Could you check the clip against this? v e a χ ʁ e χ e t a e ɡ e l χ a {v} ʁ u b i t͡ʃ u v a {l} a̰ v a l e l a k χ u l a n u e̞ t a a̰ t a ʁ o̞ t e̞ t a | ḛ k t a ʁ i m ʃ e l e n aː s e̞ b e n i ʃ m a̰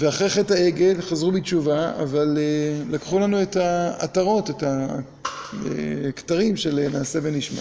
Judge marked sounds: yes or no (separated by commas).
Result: no, no